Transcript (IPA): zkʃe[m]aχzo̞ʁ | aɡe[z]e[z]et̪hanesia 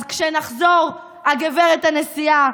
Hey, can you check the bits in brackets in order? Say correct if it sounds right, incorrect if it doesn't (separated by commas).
incorrect, incorrect, incorrect